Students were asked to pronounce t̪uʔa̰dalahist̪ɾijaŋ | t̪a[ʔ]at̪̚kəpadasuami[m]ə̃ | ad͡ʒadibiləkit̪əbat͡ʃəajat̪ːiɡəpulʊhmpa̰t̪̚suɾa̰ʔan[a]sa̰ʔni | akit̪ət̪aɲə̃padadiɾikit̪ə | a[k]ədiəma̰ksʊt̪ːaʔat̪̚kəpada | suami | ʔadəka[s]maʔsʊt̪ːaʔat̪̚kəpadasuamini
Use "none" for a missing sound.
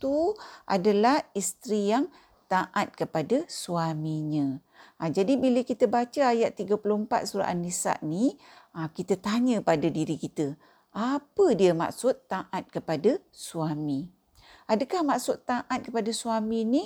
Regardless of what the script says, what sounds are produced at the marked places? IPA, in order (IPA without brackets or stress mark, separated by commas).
ʔ, ɲ, i, p, h